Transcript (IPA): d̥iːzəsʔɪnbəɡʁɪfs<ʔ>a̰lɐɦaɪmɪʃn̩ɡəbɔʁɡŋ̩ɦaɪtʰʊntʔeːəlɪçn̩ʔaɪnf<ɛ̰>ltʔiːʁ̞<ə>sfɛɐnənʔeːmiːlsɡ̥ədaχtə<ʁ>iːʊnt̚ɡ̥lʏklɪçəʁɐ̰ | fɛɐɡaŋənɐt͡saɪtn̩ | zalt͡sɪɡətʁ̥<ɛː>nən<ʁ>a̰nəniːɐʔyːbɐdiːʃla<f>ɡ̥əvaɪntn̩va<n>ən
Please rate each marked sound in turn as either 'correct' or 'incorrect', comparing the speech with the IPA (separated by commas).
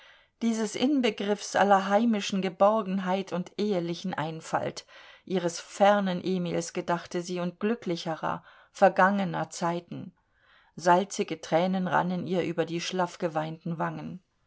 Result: correct, incorrect, correct, incorrect, correct, correct, correct, incorrect